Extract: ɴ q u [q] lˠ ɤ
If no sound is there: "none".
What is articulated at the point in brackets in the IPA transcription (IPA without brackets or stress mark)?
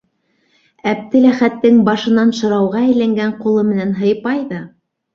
none